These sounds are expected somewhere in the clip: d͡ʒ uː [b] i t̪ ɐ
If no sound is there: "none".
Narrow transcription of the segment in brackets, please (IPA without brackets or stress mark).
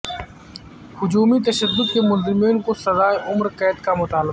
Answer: m